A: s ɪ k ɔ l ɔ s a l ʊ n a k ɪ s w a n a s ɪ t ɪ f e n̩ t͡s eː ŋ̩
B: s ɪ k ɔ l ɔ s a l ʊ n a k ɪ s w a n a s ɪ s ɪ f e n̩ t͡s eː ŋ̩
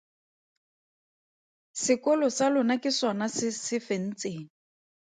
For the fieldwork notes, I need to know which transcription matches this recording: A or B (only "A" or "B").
B